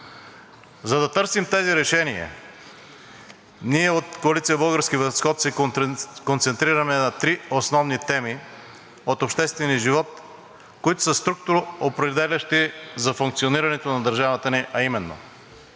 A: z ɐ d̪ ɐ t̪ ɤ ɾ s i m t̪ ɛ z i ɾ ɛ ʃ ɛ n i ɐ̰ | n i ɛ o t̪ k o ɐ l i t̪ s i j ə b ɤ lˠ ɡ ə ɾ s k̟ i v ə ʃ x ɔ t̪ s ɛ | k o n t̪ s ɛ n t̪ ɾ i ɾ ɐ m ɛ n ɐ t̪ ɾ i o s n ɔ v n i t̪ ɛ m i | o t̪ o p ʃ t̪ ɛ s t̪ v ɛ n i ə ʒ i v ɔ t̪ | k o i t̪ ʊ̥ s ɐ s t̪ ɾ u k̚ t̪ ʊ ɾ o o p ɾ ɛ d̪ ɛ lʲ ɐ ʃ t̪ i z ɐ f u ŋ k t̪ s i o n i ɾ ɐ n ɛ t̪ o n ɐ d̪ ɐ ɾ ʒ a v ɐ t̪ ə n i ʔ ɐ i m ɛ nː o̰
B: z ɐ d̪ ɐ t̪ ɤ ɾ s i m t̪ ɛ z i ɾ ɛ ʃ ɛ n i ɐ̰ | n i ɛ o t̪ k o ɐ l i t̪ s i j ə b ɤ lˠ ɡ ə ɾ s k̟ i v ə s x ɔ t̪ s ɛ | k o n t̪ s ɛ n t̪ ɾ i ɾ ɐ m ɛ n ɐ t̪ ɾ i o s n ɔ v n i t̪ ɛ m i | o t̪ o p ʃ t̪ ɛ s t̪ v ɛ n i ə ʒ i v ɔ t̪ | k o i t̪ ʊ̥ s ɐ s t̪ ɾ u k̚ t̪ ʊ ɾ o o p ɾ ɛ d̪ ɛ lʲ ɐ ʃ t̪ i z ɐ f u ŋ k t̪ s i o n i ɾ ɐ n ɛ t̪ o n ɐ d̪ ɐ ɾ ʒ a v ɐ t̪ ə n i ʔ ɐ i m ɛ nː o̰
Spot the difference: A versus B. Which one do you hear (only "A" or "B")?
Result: B